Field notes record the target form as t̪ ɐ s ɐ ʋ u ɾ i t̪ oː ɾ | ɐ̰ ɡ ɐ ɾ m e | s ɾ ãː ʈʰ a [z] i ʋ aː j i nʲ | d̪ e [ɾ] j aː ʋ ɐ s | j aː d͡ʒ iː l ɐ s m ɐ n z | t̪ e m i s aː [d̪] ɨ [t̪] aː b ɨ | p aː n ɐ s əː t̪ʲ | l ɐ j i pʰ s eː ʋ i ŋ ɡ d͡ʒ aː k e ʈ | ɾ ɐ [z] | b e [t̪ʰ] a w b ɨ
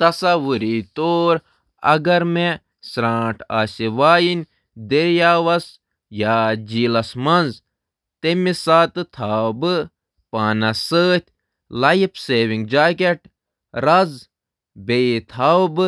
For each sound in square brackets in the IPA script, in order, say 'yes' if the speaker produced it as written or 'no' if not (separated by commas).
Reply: no, yes, no, no, yes, yes